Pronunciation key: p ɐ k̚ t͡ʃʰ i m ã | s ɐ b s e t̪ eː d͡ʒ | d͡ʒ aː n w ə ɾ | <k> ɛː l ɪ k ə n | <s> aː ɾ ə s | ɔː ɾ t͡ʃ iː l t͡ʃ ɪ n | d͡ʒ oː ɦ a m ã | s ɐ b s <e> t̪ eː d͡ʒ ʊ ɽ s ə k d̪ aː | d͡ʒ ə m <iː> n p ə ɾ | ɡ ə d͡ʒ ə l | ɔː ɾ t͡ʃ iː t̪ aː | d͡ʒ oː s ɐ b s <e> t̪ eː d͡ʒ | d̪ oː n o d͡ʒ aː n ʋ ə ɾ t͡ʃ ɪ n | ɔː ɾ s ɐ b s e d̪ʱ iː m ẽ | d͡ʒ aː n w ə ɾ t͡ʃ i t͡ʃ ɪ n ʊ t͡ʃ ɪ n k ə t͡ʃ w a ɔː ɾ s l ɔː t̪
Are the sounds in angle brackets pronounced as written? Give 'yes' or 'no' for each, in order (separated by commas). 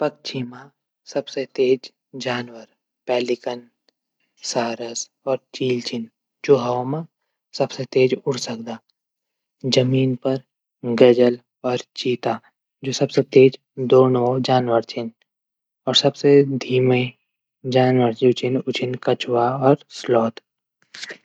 no, yes, yes, yes, yes